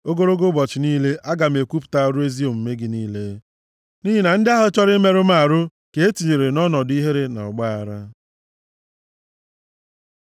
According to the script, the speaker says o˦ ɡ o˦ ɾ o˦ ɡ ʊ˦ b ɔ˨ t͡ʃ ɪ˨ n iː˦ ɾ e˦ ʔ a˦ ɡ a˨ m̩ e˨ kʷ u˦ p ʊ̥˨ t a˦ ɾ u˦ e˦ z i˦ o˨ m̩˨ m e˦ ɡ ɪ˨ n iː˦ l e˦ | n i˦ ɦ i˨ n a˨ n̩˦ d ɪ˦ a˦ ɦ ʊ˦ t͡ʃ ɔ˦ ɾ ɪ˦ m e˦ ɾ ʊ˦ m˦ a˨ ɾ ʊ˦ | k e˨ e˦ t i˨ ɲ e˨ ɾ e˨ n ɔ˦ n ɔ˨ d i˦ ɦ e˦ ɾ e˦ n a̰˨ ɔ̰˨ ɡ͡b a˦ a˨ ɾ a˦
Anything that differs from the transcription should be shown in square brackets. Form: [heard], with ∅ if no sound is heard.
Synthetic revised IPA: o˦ ɡ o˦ ɾ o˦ ɡ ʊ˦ b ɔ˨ t͡ʃ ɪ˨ n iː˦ [l] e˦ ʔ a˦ ɡ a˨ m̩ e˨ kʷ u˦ p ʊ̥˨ t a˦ ɾ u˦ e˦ z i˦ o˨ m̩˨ m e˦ ɡ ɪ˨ n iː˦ l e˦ | n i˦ ɦ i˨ n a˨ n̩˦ d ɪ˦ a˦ ɦ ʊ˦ t͡ʃ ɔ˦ ɾ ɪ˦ m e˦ ɾ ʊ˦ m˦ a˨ ɾ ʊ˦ | k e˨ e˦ t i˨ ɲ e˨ ɾ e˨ n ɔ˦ n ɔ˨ d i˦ ɦ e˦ ɾ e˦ n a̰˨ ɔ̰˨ ɡ͡b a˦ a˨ ɾ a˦